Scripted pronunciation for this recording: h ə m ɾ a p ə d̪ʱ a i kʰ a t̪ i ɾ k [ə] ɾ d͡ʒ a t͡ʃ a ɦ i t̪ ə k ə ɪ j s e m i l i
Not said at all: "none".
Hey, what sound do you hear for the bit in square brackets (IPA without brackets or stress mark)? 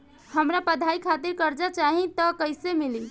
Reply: ə